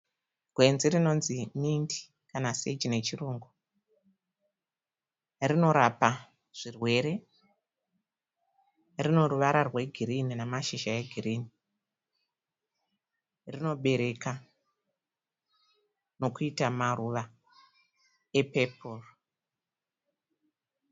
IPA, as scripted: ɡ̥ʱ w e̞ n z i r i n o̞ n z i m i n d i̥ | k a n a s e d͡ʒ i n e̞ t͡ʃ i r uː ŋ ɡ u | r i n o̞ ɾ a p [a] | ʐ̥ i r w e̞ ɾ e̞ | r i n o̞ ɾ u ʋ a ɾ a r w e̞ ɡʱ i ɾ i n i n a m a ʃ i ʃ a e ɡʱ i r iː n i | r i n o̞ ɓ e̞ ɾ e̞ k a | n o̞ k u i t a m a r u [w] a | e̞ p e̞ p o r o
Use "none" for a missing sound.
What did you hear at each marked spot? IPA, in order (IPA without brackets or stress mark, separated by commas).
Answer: a, ʋ